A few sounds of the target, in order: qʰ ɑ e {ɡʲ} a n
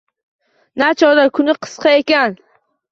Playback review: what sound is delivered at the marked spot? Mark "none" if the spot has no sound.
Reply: kʲ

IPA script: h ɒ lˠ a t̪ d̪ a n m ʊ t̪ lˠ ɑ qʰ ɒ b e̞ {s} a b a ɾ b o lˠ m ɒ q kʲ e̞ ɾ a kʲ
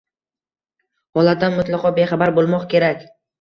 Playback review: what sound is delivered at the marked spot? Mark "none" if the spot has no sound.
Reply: χ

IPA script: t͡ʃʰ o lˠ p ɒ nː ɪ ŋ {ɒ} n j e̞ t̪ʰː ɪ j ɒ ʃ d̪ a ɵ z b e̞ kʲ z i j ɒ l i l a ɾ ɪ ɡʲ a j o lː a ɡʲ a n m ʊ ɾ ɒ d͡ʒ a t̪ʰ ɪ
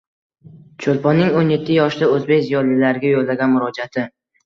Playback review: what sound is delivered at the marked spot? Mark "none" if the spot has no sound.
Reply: o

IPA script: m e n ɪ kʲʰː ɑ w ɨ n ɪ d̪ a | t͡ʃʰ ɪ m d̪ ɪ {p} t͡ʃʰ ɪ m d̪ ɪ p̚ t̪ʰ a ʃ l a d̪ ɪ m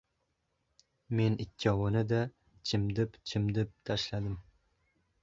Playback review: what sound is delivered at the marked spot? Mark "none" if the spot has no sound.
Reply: p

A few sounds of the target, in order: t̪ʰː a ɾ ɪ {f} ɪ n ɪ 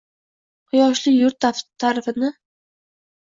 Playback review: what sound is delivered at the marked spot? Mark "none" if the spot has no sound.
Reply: f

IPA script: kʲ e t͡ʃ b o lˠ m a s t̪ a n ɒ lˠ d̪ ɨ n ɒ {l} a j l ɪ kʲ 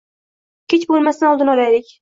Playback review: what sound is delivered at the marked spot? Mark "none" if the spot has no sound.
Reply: l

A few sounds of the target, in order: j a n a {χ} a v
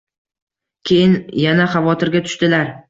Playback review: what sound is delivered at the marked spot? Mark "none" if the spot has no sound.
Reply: χ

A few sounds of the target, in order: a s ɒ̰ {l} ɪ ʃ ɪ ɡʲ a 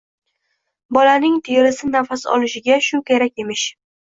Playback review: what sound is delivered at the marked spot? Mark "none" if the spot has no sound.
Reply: l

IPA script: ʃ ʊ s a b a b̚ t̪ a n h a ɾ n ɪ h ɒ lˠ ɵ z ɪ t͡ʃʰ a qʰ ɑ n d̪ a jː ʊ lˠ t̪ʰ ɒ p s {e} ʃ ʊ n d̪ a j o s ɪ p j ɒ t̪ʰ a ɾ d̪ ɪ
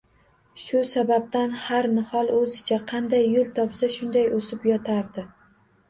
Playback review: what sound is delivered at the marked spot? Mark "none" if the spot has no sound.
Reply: a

